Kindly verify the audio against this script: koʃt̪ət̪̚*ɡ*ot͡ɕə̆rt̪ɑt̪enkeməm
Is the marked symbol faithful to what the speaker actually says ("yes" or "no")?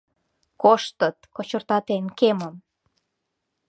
no